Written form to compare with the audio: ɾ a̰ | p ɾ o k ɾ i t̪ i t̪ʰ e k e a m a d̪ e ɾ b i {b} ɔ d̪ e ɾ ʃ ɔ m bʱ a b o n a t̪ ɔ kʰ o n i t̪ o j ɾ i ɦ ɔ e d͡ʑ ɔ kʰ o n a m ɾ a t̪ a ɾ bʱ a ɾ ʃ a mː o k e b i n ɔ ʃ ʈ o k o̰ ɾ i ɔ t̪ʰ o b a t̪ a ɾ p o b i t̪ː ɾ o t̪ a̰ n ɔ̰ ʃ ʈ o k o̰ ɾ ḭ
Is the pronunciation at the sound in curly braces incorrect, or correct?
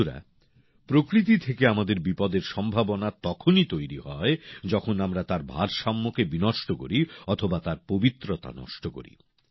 incorrect